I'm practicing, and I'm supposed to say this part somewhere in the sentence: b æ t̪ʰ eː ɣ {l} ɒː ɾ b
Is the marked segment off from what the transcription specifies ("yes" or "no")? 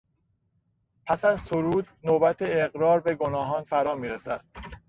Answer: yes